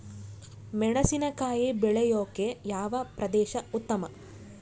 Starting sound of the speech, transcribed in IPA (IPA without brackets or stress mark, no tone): m